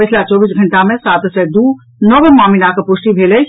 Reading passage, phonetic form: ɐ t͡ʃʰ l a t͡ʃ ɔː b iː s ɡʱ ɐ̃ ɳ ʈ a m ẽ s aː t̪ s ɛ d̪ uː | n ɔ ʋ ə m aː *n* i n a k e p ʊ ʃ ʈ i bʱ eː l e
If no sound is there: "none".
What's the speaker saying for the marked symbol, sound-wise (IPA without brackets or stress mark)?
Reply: m